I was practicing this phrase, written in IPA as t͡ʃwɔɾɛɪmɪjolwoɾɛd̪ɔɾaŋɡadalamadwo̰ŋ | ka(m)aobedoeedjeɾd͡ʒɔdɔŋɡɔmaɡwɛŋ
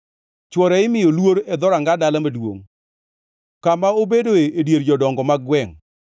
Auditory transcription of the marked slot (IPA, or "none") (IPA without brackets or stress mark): m